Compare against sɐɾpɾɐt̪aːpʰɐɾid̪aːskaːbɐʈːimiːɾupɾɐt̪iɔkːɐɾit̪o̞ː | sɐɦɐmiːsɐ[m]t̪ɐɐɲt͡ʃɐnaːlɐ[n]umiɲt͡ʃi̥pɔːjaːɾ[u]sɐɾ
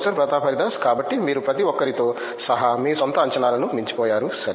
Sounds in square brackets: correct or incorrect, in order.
incorrect, correct, correct

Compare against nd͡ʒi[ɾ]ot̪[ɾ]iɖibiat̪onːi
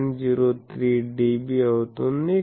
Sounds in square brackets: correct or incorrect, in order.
correct, correct

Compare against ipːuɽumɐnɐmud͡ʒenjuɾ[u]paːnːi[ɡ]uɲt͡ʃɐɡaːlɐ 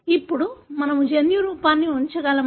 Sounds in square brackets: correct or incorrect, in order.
incorrect, incorrect

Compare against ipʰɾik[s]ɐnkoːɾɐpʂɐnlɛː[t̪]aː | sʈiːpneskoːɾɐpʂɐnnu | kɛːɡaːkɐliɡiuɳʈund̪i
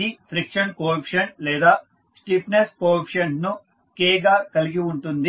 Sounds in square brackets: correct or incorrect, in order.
incorrect, incorrect

